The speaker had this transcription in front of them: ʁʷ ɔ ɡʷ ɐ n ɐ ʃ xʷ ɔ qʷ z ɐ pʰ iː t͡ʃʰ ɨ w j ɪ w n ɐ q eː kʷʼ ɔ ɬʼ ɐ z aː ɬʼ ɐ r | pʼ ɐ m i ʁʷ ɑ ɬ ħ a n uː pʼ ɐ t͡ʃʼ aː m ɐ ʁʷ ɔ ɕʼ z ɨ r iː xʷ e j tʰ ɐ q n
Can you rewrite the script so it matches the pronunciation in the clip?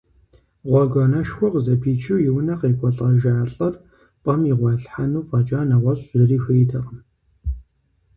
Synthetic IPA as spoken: ʁʷ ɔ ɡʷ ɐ n ɐ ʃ xʷ ɔ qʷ z ɐ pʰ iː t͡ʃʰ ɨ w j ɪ w n ɐ q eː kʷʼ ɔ ɬʼ ɐ ʒ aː ɬʼ ɐ r | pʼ ɐ m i ʁʷ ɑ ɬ ħ a n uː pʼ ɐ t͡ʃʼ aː n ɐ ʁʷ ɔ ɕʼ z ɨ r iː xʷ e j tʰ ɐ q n

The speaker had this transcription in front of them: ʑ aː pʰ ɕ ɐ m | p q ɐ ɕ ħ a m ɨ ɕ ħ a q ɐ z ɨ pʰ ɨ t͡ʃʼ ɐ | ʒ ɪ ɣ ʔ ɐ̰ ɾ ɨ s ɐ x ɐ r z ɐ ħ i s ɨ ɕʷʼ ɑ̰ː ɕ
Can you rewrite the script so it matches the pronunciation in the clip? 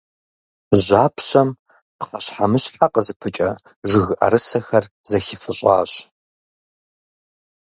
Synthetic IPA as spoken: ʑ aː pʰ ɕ ɐ m | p q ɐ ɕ ħ a m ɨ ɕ ħ a q ə z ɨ pʰ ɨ t͡ʃʼ ɐ | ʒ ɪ ɣ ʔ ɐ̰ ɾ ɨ s ɐ x ɐ r z ɐ x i f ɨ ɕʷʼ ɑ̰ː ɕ

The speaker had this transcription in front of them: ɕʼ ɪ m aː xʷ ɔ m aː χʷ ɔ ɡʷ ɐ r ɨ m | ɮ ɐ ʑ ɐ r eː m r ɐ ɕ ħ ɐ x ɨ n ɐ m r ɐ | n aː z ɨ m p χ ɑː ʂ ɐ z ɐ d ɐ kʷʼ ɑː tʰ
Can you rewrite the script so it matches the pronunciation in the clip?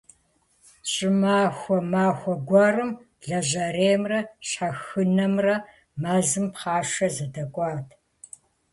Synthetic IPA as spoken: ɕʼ ɪ m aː xʷ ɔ m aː xʷ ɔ ɡʷ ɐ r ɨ m | ɮ ɐ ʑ ɐ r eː m r ɐ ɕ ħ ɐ x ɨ n ɐ m r ɐ | m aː z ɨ m p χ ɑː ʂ ɐ z ɐ d ɐ kʷʼ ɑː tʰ

